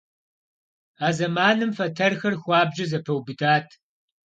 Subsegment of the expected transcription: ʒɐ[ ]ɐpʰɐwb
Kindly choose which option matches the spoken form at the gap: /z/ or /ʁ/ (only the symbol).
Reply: z